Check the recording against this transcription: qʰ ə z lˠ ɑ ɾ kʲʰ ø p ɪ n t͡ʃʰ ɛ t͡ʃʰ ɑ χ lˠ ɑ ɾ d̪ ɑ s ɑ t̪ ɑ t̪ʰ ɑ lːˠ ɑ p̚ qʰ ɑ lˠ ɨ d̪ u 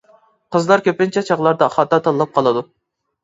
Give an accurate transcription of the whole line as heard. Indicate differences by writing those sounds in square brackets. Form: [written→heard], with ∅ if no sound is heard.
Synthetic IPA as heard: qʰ ə z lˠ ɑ ɾ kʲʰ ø p ɪ n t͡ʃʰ ɛ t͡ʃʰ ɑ [χ→ʁ] lˠ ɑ ɾ d̪ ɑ [s→χ] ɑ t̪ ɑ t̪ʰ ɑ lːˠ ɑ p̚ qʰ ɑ lˠ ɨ d̪ u